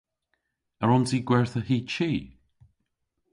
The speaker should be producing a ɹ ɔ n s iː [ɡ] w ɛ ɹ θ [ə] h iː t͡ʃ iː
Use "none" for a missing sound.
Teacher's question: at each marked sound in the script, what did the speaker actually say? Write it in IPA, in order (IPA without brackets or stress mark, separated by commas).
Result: ɡ, ə